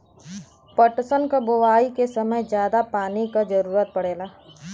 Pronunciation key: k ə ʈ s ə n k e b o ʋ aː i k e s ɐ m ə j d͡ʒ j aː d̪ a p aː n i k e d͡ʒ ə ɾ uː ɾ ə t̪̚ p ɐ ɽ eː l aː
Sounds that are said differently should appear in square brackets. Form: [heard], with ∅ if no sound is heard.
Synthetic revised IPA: [p] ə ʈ s ə n k [a] b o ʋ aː i k e s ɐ m ə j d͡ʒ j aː d̪ a p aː n i k [a] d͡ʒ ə ɾ uː ɾ ə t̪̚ p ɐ ɽ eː l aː